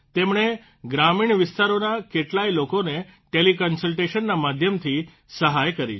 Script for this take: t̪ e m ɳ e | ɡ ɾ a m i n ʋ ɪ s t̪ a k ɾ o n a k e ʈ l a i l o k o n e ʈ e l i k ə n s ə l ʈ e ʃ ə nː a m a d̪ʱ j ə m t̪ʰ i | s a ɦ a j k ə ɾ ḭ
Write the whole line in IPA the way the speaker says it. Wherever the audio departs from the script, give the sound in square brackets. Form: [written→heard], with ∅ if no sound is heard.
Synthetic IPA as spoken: t̪ e m ɳ e | ɡ ɾ a m i [n→ɳ] ʋ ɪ s t̪ a [k→∅] ɾ o n a k e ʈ l a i l o k o n e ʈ e l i k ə n s ə l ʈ e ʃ ə nː a m a d̪ʱ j ə m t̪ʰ i | s [a→ə] ɦ a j k ə ɾ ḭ